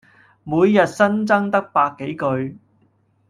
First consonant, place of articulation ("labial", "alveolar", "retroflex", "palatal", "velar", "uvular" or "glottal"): labial